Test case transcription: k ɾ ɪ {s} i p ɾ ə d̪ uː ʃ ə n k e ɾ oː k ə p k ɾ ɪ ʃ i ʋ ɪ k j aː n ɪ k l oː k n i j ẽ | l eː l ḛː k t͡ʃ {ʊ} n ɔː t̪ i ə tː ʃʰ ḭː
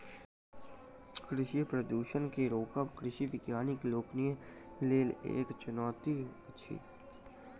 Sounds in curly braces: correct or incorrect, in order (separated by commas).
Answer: incorrect, correct